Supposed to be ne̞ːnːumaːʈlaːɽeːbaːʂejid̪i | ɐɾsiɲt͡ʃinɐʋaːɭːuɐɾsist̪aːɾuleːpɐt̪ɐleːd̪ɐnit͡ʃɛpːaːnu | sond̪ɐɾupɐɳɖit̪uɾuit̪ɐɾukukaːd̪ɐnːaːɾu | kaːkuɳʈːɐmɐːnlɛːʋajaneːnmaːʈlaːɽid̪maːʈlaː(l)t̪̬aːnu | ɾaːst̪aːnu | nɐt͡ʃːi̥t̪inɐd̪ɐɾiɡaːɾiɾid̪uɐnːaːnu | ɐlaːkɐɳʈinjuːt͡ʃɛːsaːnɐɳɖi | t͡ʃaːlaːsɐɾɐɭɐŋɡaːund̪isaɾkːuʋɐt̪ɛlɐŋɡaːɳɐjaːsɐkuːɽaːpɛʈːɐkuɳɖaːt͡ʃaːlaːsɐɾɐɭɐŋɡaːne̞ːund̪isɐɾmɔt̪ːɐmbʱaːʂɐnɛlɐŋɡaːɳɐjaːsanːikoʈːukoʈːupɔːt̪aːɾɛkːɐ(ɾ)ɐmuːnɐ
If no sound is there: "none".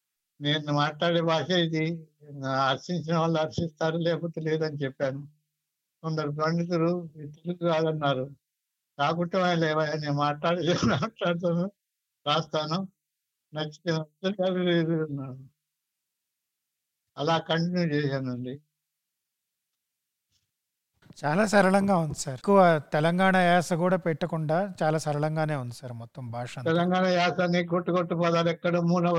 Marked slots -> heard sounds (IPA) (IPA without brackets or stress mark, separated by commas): ɽ, ɽ